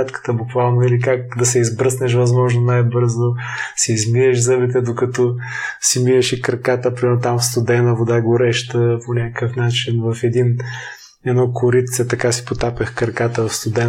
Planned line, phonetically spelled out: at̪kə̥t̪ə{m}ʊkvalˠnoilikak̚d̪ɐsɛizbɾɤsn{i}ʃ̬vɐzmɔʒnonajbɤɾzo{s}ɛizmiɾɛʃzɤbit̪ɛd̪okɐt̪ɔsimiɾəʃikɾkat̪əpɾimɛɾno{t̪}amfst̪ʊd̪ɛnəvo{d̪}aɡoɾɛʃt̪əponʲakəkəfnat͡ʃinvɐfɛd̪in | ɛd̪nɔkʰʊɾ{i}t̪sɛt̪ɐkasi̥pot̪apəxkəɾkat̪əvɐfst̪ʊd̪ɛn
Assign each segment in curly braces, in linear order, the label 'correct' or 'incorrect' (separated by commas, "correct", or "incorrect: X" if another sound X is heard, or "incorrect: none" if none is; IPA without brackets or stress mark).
incorrect: b, incorrect: ɛ, correct, correct, correct, correct